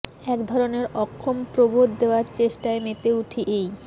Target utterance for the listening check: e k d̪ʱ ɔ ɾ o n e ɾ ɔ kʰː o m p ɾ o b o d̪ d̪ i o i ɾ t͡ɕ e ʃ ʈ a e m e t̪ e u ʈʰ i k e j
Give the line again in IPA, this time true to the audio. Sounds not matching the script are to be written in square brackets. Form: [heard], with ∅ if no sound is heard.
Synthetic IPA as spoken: [ɛ] k d̪ʱ ɔ ɾ o n e ɾ ɔ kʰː o m p ɾ o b o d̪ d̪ [e] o [a] ɾ t͡ɕ e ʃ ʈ a e m e t̪ e u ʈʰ i [ʔ] e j